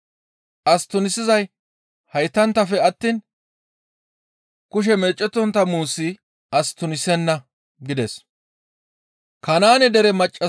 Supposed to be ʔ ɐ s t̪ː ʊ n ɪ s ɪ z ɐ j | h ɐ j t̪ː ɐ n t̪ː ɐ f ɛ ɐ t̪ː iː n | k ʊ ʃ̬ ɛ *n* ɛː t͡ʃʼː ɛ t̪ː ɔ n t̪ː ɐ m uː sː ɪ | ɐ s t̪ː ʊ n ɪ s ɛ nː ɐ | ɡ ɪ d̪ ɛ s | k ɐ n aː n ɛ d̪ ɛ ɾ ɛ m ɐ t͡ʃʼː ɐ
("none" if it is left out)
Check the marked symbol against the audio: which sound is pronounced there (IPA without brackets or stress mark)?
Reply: m